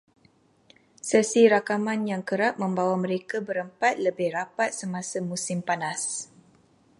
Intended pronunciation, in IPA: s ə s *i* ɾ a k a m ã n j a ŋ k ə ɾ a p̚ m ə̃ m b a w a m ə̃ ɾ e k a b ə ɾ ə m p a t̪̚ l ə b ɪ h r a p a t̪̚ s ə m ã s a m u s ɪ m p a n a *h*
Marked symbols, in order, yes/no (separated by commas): yes, no